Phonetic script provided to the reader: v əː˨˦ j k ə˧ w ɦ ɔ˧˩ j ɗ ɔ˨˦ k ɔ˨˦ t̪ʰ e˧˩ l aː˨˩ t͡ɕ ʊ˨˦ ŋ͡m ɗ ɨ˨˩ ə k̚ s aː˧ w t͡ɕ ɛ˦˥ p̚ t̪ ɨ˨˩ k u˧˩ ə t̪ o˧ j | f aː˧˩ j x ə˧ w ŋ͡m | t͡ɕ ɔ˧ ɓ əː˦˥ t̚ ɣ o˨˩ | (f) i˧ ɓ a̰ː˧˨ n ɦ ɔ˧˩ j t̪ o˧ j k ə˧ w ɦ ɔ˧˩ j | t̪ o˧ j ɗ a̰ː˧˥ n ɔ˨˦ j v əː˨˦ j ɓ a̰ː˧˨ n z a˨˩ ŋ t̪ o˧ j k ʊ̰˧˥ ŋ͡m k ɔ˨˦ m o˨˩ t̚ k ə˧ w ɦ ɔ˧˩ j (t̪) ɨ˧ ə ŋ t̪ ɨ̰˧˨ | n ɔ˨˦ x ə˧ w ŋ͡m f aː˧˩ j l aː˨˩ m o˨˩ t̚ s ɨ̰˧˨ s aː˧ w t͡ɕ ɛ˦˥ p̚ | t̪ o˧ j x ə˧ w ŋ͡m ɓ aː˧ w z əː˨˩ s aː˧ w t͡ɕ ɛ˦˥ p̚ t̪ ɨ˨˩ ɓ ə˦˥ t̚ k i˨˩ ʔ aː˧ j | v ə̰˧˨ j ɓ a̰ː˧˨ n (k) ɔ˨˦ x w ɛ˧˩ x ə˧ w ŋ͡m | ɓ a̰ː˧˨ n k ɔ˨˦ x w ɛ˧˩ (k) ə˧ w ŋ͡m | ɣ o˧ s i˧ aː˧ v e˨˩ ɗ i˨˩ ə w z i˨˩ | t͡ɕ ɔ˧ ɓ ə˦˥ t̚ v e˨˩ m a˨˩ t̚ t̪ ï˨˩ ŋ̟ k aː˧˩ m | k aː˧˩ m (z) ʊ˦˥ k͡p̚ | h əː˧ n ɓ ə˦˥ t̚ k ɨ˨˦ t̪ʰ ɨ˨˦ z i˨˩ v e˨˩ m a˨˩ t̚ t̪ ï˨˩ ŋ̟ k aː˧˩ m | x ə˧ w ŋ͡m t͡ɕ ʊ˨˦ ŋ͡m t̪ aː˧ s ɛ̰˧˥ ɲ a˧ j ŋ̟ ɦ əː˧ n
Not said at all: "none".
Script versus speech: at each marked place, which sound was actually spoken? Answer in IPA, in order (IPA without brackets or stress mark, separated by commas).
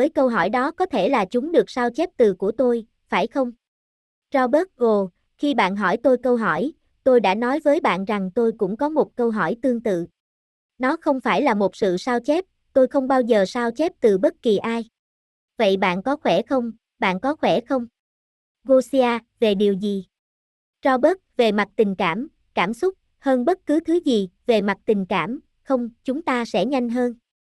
x, t̪, k, x, s